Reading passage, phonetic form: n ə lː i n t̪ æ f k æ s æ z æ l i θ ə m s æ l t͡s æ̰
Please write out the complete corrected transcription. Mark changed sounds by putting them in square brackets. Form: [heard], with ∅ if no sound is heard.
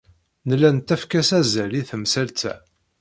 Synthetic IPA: n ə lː [æ] n t̪ æ f k æ s æ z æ l i θ ə m s æ l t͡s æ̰

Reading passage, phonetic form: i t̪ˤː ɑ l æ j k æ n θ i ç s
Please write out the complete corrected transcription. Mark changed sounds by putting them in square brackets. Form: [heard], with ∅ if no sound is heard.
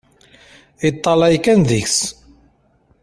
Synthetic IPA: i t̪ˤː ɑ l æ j k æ n [ð] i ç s

